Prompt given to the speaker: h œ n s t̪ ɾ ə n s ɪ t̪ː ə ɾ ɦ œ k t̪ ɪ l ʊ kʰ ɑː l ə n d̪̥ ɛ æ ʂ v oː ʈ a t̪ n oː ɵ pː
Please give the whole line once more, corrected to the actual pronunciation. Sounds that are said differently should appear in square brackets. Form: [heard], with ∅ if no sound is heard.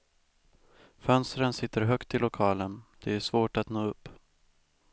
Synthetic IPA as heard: [f] œ n s t̪ ɾ ə n s ɪ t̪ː ə ɾ ɦ œ k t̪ ɪ l ʊ kʰ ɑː l ə n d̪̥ ɛ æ ʂ v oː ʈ a t̪ n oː ɵ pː